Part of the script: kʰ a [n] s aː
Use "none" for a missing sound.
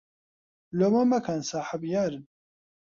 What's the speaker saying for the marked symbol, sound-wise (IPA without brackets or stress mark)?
n